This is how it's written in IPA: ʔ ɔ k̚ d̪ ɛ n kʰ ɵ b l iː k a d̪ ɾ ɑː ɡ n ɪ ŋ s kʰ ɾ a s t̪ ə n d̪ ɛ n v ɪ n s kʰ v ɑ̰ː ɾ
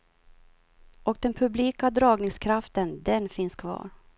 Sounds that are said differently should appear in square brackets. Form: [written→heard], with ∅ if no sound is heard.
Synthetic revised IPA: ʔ ɔ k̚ d̪ ɛ n [kʰ→pʰ] ɵ b l iː k a d̪ ɾ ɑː ɡ n ɪ ŋ s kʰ ɾ a [s→f] t̪ ə n d̪ ɛ n [v→f] ɪ n s kʰ v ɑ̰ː ɾ